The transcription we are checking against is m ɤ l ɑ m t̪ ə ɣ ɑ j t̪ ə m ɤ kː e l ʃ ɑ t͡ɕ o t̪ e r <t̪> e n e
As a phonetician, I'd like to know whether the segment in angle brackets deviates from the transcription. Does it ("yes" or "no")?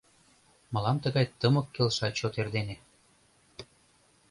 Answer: yes